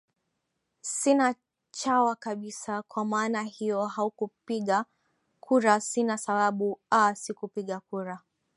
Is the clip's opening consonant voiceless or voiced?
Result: voiceless